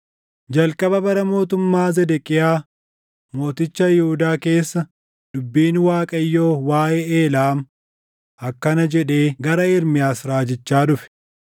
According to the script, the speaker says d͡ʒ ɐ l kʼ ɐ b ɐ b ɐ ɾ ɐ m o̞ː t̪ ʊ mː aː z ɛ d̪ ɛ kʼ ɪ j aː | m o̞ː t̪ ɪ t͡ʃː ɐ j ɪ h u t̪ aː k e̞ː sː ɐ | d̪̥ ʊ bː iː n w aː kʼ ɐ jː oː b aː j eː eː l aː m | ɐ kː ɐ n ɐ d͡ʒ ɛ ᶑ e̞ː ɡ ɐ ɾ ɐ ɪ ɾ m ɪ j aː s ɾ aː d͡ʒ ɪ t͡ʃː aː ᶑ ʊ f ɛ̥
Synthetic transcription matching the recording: d͡ʒ ɐ l kʼ ɐ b ɐ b ɐ ɾ ɐ m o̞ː t̪ ʊ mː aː z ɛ d̪ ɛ kʼ ɪ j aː | m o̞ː t̪ ɪ t͡ʃː ɐ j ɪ h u d̪ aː k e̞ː sː ɐ | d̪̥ ʊ bː iː n w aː kʼ ɐ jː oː w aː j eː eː l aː m | ɐ kː ɐ n ɐ d͡ʒ ɛ ᶑ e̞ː ɡ ɐ ɾ ɐ ɪ ɾ m ɪ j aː s ɾ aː d͡ʒ ɪ t͡ʃː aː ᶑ ʊ f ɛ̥